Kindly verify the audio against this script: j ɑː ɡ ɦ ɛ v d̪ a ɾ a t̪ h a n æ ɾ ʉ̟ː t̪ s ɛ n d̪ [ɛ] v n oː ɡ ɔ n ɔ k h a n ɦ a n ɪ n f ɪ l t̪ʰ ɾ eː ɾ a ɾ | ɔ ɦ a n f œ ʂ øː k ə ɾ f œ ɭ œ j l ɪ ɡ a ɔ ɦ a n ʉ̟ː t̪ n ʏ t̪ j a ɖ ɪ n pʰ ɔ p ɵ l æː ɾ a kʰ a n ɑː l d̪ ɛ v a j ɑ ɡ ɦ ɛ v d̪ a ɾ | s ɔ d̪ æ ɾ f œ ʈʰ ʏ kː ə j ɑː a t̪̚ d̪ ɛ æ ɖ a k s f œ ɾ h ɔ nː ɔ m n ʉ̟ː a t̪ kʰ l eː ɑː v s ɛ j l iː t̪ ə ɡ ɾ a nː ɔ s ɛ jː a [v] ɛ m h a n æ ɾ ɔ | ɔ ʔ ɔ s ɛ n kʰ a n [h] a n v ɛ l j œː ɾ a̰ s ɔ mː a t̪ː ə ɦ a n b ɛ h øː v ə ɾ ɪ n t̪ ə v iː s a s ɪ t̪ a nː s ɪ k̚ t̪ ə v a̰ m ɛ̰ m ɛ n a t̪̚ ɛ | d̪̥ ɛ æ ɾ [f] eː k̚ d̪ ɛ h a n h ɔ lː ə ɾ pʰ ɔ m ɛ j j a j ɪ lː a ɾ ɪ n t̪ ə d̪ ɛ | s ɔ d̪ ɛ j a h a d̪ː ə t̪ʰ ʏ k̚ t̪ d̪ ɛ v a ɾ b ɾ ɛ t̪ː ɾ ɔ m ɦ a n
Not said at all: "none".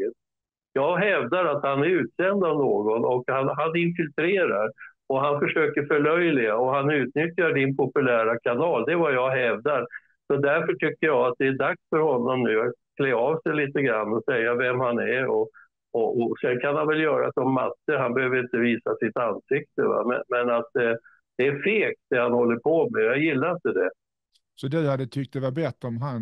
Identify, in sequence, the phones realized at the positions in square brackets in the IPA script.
a, v, h, f

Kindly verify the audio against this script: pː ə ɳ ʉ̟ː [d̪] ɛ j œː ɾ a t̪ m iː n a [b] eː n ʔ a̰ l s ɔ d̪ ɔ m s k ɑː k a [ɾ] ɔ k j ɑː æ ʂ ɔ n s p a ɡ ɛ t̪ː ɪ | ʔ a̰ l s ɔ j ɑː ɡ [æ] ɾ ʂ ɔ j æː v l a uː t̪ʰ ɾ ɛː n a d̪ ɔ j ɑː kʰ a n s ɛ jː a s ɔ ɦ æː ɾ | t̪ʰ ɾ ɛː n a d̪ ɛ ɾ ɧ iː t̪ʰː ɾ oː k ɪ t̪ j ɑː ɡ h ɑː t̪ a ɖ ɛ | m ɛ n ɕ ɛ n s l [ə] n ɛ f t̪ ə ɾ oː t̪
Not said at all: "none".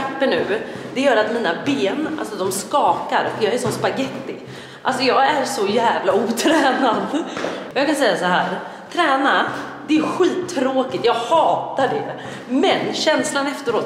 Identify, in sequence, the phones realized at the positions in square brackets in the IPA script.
d̪, b, ɾ, æ, a

